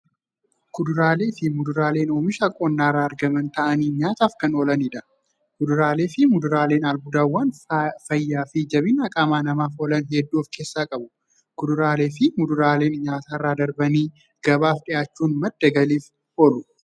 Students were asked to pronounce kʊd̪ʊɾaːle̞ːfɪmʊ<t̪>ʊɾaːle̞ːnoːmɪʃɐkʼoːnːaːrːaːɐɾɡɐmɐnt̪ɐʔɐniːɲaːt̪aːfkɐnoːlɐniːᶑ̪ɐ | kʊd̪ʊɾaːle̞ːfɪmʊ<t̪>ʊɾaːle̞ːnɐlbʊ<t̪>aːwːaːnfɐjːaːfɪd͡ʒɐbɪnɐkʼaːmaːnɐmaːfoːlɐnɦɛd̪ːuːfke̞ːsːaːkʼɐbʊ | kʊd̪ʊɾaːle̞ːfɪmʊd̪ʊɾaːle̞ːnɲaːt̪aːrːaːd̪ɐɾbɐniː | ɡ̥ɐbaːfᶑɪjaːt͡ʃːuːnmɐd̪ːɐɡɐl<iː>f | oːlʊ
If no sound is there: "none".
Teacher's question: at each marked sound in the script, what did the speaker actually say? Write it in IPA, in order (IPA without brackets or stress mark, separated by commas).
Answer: d̪, d̪, d̪, iː